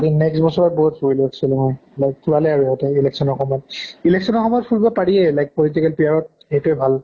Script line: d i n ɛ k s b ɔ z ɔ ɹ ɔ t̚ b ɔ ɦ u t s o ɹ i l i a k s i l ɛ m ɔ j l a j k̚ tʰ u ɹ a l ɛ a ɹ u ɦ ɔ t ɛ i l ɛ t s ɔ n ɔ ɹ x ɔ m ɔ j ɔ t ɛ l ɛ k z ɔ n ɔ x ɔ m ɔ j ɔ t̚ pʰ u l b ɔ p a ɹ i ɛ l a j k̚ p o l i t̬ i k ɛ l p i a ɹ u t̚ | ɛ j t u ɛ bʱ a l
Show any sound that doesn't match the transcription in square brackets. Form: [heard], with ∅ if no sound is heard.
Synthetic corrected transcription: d i n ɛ k s b ɔ [s] ɔ ɹ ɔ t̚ b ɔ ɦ u t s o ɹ i l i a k s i l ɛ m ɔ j l a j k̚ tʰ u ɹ a l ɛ a ɹ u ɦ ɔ t ɛ i l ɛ [k] s ɔ n ɔ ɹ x ɔ m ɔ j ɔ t [i] l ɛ k [s] ɔ n ɔ x ɔ m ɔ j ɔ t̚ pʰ u l b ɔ p a ɹ i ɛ l a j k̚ p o l i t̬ i k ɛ l p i a ɹ [ɔ] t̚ | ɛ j t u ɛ bʱ a l